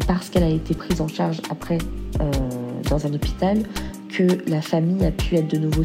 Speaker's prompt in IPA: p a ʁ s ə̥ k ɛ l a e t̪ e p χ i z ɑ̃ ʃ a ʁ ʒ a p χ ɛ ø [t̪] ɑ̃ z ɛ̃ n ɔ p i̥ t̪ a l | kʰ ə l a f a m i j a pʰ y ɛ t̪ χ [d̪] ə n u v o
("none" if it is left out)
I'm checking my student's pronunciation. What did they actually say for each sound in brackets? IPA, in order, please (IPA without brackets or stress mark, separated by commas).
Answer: d̪, d̪